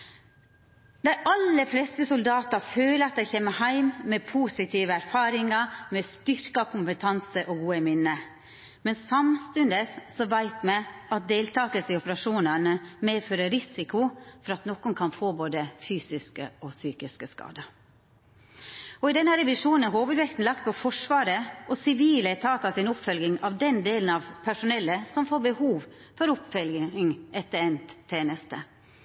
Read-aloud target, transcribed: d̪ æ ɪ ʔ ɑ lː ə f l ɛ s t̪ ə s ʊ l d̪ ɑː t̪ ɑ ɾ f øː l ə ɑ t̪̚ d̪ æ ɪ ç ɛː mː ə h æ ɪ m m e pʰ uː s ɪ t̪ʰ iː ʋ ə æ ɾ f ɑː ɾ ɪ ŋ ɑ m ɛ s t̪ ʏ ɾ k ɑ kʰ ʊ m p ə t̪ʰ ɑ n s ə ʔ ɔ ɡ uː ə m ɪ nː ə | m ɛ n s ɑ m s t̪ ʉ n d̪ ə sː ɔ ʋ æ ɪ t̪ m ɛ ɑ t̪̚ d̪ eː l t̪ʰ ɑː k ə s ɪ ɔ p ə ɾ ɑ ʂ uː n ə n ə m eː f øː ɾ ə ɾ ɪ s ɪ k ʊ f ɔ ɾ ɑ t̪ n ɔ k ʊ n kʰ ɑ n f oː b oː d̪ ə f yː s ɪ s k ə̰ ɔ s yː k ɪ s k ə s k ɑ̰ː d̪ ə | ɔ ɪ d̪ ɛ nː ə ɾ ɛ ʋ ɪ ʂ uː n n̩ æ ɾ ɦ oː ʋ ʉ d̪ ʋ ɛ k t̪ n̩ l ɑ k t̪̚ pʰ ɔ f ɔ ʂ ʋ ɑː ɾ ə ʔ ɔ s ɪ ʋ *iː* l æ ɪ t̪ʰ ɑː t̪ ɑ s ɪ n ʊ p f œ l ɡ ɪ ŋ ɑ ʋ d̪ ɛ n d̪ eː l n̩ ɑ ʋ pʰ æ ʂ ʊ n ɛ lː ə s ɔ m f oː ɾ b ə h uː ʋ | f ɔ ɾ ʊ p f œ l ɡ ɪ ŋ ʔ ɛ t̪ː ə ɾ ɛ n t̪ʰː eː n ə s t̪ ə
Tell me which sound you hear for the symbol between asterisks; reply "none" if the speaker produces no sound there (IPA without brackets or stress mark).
iː